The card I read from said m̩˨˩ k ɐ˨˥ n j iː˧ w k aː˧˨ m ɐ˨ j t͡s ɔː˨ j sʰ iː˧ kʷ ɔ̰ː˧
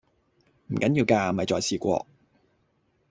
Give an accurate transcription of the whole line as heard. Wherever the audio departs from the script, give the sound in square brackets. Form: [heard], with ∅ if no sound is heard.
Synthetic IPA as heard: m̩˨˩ k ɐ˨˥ n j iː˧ w k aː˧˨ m ɐ˨ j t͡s ɔː˨ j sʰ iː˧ kʷ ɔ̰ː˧